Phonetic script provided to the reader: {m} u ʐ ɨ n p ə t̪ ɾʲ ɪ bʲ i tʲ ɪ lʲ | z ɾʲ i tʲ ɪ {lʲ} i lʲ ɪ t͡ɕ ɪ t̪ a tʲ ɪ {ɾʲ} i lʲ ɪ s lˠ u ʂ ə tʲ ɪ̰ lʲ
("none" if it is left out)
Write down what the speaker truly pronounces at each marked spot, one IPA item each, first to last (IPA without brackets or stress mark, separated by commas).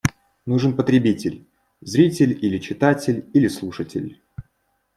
n, lʲ, lʲ